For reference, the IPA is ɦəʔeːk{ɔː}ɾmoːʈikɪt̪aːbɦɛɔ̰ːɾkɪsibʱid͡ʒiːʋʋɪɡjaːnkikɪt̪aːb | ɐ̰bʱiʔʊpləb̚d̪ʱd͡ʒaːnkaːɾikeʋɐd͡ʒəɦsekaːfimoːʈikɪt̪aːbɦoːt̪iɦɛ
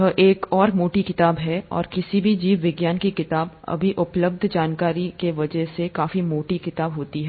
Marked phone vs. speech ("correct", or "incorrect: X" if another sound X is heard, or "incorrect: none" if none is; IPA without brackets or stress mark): correct